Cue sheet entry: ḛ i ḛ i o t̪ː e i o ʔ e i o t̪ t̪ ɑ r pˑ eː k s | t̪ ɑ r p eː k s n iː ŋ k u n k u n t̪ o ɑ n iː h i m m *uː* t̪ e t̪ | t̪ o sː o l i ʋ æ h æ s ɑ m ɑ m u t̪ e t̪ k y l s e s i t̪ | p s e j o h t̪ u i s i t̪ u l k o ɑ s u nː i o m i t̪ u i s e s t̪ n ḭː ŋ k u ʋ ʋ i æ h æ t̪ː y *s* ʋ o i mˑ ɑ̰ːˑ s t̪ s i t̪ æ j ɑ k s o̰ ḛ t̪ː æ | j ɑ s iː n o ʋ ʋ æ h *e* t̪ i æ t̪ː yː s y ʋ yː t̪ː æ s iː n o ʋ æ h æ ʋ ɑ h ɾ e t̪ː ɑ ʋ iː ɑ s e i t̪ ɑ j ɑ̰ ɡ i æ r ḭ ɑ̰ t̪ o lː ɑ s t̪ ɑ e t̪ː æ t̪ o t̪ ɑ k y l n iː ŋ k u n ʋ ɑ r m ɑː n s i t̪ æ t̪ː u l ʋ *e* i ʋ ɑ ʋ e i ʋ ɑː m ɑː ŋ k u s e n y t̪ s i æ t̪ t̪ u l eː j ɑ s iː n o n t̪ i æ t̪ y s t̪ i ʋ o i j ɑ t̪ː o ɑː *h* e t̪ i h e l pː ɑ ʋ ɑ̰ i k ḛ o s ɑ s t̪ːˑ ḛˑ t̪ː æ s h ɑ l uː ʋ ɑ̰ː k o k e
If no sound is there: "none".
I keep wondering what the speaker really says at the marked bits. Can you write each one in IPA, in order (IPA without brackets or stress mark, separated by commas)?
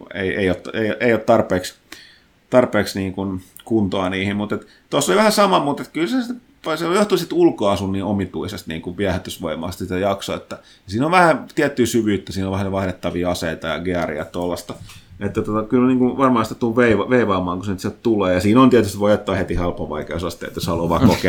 u, s, æ, e, h